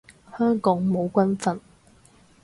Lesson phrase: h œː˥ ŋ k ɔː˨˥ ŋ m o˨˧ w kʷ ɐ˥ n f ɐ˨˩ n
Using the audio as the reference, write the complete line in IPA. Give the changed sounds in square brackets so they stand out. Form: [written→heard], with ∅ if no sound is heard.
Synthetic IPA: h œː˥ ŋ k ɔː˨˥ ŋ m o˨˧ w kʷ ɐ˥ n f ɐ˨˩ n

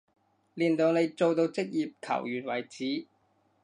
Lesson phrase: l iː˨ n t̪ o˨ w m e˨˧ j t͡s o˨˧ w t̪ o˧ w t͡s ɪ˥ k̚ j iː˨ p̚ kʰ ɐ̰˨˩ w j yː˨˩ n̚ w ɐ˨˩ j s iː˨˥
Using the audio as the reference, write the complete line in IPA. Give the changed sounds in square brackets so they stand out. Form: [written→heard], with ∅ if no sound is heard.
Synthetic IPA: l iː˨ n t̪ o˨ w [m→n] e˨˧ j t͡s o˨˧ w t̪ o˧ w t͡s ɪ˥ k̚ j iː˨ p̚ kʰ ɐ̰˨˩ w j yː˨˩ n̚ w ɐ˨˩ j [s→t͡s] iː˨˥

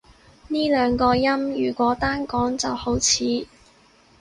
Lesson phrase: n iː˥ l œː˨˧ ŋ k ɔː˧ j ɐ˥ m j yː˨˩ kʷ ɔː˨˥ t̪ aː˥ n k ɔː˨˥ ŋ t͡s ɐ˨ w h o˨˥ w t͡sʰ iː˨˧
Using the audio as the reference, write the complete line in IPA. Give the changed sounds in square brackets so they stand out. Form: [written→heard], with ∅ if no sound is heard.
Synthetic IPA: n iː˥ l œː˨˧ ŋ k ɔː˧ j ɐ˥ m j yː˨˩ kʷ ɔː˨˥ t̪ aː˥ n k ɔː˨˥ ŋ t͡s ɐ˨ w h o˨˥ w t͡sʰ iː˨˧

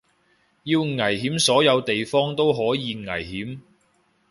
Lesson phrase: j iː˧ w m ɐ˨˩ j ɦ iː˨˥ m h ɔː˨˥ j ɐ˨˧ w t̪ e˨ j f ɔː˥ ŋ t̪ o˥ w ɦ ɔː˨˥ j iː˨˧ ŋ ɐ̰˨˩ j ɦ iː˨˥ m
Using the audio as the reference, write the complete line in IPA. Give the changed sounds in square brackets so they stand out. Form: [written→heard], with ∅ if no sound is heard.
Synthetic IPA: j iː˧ w [m→ŋ] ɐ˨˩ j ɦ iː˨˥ m [h→s] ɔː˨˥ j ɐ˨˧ w t̪ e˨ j f ɔː˥ ŋ t̪ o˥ w ɦ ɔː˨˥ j iː˨˧ ŋ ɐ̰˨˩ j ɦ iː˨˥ m

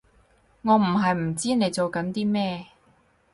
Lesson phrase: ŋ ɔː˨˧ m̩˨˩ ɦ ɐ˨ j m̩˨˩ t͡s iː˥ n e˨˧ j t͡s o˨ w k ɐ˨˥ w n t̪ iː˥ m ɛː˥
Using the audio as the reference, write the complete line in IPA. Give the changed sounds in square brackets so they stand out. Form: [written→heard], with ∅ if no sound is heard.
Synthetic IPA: ŋ ɔː˨˧ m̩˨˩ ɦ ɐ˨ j m̩˨˩ t͡s iː˥ n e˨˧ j t͡s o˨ w k ɐ˨˥ [w→∅] n t̪ iː˥ m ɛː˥

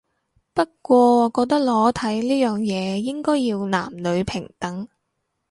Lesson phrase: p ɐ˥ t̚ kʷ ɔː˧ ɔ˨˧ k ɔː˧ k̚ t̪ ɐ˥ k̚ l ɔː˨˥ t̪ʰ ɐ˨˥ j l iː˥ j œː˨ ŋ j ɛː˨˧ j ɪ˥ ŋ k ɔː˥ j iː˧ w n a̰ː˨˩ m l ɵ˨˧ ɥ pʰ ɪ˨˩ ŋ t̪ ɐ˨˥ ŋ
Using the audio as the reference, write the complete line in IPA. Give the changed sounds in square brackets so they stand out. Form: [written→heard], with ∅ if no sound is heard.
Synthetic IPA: p ɐ˥ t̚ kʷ ɔː˧ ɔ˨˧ k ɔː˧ k̚ t̪ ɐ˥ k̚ l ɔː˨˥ t̪ʰ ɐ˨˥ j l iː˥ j œː˨ ŋ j ɛː˨˧ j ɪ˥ ŋ k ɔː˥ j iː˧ w n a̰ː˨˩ m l ɵ˨˧ ɥ pʰ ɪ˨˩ ŋ t̪ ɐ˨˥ ŋ

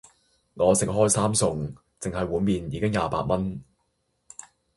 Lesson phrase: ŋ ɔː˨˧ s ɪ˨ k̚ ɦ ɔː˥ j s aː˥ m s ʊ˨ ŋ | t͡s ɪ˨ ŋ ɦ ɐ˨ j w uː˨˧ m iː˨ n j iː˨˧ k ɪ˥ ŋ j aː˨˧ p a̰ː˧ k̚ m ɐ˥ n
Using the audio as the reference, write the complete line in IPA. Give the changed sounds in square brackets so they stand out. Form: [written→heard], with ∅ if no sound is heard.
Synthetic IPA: ŋ ɔː˨˧ s ɪ˨ k̚ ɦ ɔː˥ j s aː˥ m s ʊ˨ ŋ | t͡s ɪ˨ ŋ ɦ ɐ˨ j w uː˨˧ m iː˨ n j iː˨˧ k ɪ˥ ŋ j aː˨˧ p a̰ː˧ [k̚→t̚] m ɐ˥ n

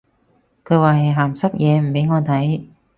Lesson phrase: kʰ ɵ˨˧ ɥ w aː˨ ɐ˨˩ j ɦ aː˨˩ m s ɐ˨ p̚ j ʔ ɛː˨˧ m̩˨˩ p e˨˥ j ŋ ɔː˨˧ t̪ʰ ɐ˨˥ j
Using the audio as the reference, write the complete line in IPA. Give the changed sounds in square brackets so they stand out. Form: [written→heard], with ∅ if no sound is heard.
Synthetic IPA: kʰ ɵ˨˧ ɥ w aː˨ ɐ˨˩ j ɦ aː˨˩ m s [ɐ˨→ɐ˥] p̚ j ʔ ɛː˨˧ m̩˨˩ p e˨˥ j ŋ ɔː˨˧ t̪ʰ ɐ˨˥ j

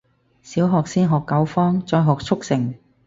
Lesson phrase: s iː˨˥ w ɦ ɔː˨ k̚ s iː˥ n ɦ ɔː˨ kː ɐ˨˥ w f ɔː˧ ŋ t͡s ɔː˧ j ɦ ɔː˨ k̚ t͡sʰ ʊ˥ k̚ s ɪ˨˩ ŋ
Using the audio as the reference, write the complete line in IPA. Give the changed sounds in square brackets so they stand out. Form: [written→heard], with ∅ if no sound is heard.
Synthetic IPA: s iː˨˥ w ɦ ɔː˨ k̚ s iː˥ n ɦ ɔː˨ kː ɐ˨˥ w f [ɔː˧→ɔː˥] ŋ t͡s ɔː˧ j ɦ ɔː˨ k̚ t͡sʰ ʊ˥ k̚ s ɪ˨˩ ŋ

